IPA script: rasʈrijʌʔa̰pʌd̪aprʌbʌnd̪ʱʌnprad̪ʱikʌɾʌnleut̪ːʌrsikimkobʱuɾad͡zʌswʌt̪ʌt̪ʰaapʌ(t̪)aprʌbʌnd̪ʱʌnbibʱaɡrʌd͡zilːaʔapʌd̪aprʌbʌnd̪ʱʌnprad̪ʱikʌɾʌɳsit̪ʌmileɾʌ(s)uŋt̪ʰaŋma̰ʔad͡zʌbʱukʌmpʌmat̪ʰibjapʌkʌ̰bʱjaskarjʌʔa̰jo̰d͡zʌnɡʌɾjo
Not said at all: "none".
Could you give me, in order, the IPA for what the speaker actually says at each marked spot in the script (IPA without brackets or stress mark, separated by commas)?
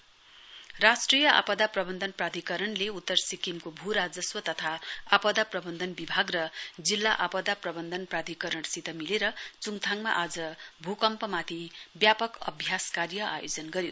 d̪, t͡s